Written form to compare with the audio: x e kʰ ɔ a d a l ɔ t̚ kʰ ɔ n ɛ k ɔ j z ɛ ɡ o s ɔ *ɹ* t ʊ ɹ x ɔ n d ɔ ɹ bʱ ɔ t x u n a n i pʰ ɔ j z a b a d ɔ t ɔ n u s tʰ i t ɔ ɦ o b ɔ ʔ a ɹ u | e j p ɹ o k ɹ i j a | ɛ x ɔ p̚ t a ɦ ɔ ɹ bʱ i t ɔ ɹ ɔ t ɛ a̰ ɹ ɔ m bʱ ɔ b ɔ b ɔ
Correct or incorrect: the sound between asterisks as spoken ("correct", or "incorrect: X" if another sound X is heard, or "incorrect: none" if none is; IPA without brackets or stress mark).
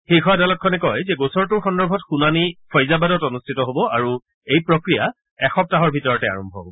correct